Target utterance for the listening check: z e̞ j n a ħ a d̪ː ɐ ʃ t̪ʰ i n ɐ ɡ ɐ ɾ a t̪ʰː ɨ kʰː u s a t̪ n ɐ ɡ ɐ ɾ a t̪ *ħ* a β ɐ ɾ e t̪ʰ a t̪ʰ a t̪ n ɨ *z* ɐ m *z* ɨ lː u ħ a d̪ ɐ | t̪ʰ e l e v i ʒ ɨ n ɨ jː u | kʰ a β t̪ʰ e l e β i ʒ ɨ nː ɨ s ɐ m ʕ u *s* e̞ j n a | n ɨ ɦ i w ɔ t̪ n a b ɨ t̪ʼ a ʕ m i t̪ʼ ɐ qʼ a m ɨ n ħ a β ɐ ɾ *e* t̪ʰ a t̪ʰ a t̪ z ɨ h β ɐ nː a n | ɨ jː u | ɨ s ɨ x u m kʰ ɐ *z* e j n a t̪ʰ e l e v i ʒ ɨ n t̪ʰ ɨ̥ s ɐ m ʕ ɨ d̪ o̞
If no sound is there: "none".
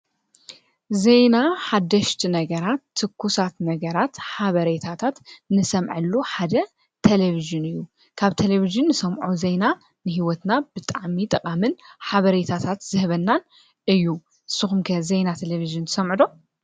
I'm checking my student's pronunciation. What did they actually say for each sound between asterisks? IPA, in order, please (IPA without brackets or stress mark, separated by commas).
ħ, s, ʕ, z, e, z